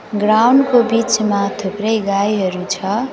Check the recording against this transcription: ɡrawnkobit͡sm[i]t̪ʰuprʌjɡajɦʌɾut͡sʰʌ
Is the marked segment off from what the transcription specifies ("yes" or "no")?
yes